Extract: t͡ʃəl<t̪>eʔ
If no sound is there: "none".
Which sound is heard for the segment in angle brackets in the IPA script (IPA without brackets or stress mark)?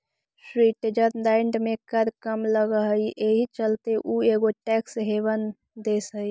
t̪